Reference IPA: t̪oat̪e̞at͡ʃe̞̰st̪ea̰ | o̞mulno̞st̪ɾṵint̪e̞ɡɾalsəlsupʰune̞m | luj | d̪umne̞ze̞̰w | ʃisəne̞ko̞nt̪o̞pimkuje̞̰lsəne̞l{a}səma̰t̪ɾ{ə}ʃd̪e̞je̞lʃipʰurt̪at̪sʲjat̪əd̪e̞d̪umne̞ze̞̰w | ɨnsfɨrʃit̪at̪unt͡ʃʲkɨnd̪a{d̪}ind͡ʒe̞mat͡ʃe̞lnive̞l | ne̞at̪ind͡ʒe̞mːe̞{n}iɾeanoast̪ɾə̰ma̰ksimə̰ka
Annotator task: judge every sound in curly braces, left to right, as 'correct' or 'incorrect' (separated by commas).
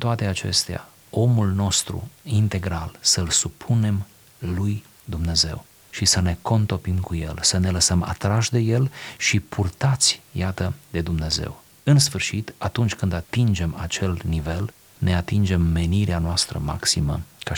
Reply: incorrect, incorrect, incorrect, correct